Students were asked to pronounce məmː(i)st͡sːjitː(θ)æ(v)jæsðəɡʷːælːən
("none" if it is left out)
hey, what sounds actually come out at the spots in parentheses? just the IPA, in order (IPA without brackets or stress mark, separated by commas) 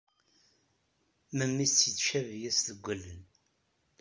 i, ʃ, v